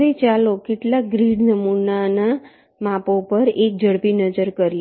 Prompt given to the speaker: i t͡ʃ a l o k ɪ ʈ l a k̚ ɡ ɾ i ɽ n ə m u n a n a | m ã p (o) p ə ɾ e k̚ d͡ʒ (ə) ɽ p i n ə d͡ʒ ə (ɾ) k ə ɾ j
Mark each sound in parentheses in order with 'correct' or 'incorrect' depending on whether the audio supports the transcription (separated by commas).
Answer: correct, correct, correct